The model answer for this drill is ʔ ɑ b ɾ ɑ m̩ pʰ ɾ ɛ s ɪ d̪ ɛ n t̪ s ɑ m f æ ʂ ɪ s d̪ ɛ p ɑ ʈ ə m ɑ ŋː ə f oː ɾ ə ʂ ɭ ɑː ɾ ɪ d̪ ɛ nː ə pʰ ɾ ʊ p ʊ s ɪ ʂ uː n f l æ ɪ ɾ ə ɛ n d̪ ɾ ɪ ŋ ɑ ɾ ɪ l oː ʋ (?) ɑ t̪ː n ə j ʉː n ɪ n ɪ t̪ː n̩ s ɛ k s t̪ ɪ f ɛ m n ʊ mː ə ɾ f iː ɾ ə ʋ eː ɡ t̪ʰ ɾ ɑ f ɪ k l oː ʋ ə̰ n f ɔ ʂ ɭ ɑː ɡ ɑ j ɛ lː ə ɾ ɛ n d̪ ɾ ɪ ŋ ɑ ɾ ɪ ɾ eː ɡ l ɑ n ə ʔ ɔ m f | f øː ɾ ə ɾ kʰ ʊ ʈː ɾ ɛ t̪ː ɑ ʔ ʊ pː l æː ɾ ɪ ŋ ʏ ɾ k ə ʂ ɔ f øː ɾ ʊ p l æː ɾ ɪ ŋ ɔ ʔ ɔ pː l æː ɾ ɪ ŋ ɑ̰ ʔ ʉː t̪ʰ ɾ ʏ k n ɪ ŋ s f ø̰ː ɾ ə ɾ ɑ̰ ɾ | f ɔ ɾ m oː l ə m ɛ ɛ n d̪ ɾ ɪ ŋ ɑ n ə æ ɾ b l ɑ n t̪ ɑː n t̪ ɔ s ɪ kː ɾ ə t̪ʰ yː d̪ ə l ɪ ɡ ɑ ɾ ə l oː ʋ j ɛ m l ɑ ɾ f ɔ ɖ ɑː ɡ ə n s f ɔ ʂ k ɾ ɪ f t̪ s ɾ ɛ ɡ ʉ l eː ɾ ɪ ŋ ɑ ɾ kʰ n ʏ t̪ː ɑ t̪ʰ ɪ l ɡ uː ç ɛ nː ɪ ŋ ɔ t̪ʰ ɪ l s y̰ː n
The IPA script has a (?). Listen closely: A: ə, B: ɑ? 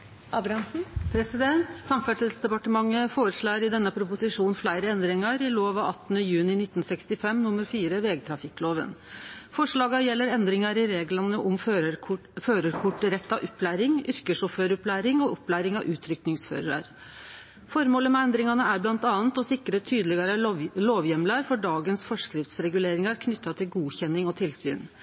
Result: B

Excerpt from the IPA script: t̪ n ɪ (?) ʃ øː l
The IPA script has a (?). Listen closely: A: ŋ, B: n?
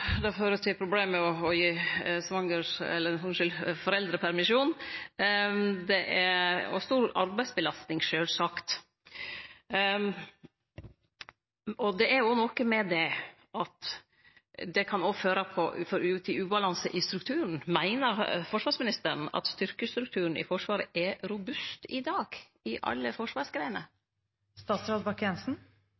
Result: A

